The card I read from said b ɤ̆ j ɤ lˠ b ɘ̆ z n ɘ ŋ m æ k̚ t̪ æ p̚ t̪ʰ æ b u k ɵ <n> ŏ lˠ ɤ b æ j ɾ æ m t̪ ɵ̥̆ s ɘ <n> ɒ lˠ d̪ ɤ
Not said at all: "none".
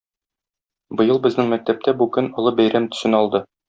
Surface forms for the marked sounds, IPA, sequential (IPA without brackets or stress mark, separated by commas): n, n